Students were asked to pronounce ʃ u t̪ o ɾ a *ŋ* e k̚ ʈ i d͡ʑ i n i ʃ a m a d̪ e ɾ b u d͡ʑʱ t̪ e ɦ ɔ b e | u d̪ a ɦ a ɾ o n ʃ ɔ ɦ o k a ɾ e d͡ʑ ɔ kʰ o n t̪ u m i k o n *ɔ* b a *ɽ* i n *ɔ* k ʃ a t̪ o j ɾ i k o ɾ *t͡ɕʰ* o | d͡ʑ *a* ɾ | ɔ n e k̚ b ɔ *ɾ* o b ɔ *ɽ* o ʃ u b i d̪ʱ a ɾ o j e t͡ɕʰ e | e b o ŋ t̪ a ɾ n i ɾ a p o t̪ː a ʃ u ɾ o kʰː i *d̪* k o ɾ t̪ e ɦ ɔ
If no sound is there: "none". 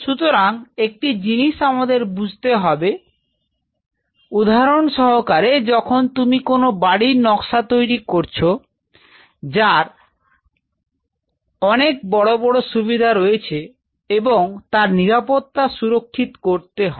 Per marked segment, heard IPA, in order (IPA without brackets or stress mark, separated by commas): ŋ, o, ɽ, ɔ, t͡ɕʰ, a, ɽ, ɽ, t̪